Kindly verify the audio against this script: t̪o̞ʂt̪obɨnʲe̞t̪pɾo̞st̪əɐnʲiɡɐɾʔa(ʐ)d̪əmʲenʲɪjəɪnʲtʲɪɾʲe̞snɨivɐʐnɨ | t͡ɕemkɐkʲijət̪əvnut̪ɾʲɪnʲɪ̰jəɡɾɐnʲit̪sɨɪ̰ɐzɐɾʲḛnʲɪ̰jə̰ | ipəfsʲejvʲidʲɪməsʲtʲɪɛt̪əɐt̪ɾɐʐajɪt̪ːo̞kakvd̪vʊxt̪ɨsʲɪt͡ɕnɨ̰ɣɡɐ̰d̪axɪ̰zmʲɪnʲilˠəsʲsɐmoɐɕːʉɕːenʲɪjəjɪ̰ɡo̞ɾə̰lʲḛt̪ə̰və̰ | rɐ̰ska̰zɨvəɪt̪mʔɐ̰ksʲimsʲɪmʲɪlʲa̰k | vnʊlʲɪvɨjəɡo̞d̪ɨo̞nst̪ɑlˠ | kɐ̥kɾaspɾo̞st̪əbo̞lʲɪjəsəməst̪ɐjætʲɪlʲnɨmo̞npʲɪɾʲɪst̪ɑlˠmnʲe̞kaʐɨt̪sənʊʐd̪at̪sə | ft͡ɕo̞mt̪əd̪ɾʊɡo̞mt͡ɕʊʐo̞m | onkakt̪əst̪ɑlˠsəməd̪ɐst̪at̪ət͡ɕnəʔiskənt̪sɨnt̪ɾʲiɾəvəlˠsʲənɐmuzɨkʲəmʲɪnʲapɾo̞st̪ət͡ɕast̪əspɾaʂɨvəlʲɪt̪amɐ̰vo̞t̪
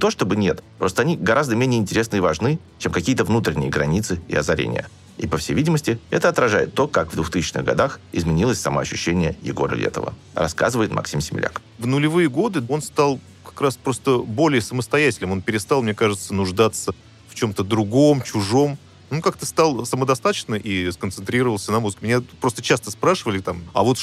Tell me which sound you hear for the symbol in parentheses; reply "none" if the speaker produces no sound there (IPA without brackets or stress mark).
z